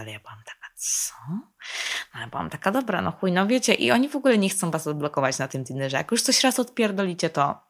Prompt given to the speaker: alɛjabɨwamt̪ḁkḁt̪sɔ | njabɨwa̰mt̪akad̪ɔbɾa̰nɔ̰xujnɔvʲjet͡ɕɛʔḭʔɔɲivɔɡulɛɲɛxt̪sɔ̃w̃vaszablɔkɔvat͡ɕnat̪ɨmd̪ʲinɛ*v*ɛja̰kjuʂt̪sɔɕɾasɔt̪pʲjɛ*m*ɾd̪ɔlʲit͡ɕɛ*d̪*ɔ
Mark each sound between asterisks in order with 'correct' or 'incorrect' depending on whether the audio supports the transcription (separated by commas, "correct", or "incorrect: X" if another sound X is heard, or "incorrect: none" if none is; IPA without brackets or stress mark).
incorrect: ʐ, incorrect: none, incorrect: t̪